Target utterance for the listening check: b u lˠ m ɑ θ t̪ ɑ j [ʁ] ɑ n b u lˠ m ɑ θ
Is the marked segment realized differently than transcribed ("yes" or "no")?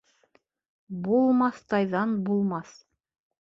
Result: yes